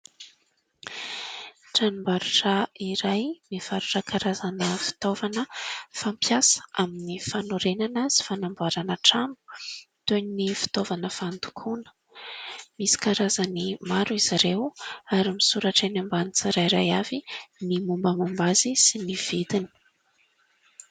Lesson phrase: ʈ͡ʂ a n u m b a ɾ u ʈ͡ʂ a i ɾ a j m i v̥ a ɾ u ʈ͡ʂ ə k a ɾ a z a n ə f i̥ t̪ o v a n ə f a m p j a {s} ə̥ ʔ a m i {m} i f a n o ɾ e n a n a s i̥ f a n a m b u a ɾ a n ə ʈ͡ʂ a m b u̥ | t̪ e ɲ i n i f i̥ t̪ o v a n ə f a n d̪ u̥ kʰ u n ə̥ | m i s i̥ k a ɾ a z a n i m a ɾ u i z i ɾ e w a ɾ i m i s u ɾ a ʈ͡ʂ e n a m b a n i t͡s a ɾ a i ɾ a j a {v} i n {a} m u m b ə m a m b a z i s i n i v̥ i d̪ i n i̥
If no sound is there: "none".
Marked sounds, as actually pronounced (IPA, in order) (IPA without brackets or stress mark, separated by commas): s, n, v, i